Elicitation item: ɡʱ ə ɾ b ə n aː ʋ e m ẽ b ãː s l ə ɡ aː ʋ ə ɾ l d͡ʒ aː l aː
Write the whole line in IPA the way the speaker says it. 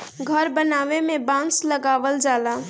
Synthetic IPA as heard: ɡʱ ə ɾ b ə n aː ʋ e m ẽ b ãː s l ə ɡ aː ʋ ə l d͡ʒ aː l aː